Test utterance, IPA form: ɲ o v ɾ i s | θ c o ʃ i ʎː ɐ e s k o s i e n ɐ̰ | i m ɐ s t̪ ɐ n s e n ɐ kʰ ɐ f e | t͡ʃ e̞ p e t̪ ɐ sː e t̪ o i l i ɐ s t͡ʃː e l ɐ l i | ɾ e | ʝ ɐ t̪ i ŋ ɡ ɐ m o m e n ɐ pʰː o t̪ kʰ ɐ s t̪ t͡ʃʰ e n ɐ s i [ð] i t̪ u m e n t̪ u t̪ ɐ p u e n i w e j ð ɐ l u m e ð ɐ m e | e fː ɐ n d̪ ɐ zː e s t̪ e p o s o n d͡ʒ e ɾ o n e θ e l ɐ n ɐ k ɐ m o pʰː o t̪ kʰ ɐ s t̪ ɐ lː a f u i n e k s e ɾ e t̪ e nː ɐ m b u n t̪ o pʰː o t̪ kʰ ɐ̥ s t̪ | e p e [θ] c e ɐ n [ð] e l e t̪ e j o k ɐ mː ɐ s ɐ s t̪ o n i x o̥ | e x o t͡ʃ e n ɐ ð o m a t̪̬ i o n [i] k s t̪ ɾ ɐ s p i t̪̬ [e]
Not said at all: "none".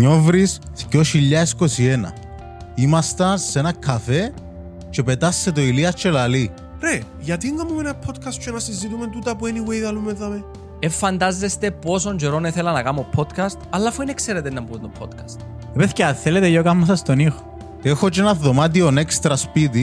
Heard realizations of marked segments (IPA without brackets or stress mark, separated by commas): z, θ, θ, e, i